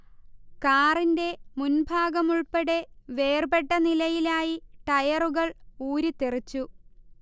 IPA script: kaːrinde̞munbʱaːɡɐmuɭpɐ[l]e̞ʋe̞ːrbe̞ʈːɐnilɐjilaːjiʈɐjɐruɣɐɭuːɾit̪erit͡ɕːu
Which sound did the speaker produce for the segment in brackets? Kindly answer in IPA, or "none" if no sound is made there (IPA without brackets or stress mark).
ɽ